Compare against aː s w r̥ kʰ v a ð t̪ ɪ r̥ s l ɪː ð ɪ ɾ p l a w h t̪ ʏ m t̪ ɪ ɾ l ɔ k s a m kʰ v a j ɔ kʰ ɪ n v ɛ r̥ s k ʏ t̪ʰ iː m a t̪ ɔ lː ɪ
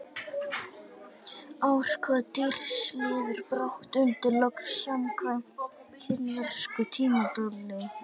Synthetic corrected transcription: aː w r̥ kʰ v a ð t̪ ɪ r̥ s l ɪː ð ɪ ɾ p ɾ a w h t̪ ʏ n t̪ ɪ ɾ l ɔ k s a m kʰ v a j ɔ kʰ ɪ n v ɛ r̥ s k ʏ t̪ʰ iː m a t̪ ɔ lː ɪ